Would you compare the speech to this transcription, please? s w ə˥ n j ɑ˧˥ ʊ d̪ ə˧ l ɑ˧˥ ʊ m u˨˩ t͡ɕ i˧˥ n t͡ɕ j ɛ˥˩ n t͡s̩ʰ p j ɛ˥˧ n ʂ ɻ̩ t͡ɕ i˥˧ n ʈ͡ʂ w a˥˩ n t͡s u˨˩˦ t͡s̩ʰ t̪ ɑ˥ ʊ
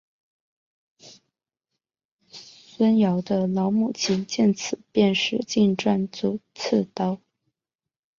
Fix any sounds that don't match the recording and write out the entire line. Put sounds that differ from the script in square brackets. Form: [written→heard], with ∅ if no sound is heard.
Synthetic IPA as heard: s w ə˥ n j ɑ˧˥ ʊ d̪ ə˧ l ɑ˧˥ ʊ m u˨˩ [t͡ɕ→t͡ɕʰ] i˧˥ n t͡ɕ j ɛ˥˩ n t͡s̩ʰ p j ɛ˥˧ n ʂ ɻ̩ t͡ɕ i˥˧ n ʈ͡ʂ w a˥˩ n t͡s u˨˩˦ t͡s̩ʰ t̪ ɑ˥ ʊ